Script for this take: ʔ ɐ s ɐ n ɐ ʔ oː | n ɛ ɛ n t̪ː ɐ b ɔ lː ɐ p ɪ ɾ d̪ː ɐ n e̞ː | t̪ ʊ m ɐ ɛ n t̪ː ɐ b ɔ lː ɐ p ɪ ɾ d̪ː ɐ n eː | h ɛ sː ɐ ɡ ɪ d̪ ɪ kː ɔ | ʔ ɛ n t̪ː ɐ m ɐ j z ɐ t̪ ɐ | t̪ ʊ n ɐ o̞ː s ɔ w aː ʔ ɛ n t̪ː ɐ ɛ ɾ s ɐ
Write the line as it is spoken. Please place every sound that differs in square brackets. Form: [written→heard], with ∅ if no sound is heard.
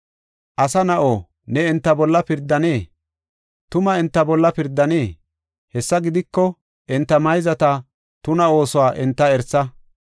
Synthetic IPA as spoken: ʔ ɐ s ɐ n ɐ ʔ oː | n ɛ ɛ n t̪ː ɐ b ɔ lː ɐ p ɪ ɾ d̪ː ɐ n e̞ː | t̪ ʊ m ɐ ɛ n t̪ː ɐ b ɔ lː ɐ p ɪ ɾ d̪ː ɐ n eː | h ɛ sː ɐ ɡ ɪ d̪ ɪ kː ɔ | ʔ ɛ n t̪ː ɐ m ɐ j z ɐ t̪ ɐ | t̪ ʊ n ɐ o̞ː s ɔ w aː ʔ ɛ n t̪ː ɐ ɛ ɾ s ɐ